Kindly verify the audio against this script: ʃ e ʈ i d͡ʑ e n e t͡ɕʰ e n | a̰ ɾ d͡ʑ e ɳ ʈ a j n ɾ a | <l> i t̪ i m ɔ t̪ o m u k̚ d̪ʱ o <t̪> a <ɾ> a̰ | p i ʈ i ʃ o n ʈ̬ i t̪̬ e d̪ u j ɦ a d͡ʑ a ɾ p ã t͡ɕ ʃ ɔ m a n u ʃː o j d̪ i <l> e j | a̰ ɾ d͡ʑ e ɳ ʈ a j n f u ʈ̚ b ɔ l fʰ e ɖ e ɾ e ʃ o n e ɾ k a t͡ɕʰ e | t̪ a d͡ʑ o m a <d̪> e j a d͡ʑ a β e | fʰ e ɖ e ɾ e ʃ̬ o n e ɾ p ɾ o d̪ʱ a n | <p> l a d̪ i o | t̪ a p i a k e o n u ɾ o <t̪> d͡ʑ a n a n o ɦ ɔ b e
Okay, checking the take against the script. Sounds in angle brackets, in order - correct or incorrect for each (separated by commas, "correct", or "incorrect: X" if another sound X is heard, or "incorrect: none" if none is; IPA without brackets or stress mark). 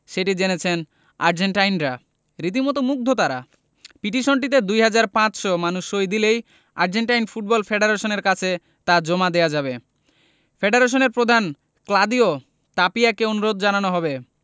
incorrect: ɾ, correct, correct, correct, correct, incorrect: k, incorrect: d̪